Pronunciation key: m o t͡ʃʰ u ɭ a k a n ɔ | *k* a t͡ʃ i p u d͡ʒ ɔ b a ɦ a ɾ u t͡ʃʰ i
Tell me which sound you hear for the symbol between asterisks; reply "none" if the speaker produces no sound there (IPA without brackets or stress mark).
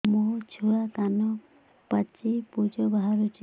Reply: p